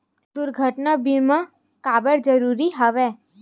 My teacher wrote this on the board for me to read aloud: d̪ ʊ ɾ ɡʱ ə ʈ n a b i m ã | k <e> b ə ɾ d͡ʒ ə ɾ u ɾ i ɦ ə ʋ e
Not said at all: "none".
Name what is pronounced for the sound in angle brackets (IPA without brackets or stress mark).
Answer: a